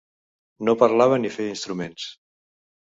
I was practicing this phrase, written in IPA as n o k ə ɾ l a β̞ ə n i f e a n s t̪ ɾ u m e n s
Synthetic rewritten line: n o p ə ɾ l a β̞ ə n i f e i n s t̪ ɾ u m e n s